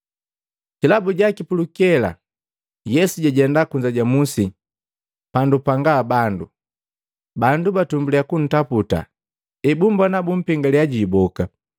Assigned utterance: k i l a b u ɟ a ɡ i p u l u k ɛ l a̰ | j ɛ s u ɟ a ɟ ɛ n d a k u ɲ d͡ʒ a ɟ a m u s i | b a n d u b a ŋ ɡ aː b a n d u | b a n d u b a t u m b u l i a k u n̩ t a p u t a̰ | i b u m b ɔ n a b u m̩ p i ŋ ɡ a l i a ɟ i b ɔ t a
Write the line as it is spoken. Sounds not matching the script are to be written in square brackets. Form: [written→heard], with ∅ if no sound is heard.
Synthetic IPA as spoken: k i l a b u ɟ a [ɡ→k] i p u l u k ɛ l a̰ | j ɛ s u ɟ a ɟ ɛ n d a k u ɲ d͡ʒ a ɟ a m u s i | [b→p] a n d u [b→p] a ŋ ɡ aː b a n d u | b a n d u b a t u m b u l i a k u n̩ t a p u t a̰ | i b u m b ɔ n a b u m̩ p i ŋ ɡ a l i a ɟ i b ɔ [t→k] a